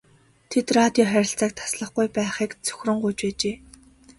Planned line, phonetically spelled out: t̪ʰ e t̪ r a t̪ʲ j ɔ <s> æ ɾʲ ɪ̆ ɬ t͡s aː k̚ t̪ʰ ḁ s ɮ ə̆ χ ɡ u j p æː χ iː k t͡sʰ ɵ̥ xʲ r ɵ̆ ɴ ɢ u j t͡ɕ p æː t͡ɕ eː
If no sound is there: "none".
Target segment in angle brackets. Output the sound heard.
χ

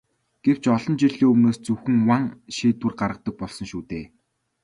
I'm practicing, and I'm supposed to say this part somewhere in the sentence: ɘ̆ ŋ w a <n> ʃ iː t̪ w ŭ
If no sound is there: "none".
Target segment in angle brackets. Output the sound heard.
ŋ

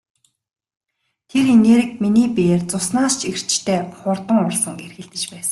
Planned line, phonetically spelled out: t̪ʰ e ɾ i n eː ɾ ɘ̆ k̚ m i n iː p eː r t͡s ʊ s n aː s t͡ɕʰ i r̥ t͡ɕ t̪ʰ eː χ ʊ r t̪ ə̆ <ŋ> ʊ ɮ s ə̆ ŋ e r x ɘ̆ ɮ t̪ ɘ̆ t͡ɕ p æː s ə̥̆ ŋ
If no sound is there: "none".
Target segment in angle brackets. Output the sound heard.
ŋ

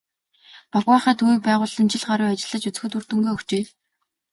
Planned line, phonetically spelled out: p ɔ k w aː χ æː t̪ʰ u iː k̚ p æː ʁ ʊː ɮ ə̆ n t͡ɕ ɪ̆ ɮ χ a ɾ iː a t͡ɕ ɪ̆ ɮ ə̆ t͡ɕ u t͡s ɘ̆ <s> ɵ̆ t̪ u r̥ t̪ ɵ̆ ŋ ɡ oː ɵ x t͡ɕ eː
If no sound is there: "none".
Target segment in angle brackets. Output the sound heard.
x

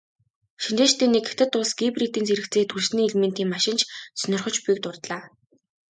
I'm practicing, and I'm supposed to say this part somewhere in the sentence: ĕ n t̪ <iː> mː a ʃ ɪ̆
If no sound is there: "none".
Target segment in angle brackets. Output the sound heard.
iː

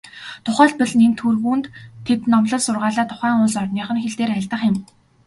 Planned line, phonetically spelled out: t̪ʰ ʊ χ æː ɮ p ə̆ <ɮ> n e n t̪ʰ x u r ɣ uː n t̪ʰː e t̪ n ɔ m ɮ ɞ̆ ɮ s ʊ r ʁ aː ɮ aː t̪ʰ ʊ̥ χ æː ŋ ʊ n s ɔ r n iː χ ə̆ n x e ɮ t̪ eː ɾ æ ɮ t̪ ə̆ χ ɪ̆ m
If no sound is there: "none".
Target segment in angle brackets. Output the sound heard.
ɮ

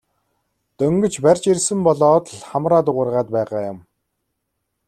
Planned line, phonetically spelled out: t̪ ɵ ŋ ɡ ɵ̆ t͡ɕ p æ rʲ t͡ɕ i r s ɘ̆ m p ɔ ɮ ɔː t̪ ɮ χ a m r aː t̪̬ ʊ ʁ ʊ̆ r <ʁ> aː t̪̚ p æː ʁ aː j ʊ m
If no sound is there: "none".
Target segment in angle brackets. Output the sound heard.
ʁ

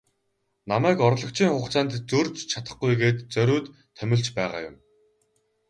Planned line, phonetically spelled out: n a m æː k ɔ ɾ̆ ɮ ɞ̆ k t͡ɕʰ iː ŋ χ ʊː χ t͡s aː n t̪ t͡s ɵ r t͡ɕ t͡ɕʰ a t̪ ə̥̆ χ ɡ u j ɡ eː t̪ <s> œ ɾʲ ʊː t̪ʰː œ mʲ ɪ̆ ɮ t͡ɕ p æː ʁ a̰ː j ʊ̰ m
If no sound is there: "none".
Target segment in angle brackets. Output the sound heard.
t͡s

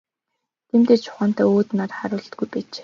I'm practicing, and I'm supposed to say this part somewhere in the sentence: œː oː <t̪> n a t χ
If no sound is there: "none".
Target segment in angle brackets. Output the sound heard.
t̪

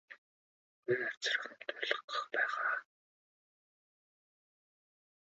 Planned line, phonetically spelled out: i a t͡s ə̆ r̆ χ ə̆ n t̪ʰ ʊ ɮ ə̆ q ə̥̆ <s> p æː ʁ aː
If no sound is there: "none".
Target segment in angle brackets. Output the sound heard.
χ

